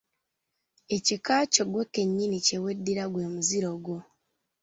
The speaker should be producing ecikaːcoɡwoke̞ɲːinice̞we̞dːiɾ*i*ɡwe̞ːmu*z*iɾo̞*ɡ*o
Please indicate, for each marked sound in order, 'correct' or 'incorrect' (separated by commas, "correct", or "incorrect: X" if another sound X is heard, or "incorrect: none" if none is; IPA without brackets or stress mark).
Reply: incorrect: a, correct, correct